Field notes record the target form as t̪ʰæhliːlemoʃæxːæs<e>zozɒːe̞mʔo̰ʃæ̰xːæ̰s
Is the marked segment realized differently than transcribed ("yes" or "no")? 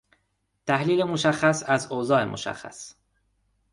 yes